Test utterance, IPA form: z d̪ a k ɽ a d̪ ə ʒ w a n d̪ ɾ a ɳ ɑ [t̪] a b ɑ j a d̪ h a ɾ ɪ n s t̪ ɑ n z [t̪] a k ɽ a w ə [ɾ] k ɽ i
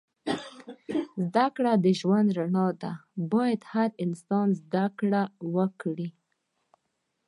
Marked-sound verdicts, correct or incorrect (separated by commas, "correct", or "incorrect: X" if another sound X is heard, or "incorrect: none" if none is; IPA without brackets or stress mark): incorrect: d̪, incorrect: d̪, incorrect: none